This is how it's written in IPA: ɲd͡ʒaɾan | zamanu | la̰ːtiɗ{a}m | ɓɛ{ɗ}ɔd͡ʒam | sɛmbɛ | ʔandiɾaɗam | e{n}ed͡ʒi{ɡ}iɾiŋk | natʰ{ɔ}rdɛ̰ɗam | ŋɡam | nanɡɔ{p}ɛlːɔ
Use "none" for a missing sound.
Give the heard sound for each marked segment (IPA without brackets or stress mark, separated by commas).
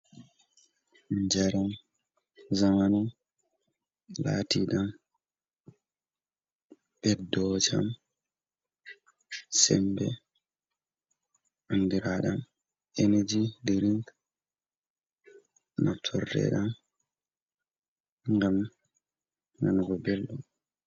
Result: a, d, n, d, ɔ, b